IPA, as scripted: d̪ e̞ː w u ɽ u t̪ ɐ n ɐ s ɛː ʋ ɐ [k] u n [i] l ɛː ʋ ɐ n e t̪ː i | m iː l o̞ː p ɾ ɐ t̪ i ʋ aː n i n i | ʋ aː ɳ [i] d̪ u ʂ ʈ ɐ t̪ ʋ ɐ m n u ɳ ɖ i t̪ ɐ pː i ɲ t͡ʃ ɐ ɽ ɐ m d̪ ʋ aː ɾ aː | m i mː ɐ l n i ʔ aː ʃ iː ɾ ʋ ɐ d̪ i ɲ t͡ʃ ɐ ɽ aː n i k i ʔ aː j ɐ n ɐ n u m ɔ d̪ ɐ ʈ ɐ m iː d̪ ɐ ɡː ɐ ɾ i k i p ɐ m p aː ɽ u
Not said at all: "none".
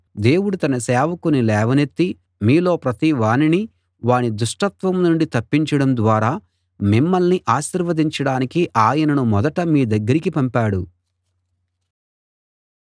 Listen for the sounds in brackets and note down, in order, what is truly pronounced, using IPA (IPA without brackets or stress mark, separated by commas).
k, i, i